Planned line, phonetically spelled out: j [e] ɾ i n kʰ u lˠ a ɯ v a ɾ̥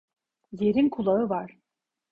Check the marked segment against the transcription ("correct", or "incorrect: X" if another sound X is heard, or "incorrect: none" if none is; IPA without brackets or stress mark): correct